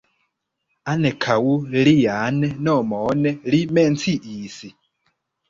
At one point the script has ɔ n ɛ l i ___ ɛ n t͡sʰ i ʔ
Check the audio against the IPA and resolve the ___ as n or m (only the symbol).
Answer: m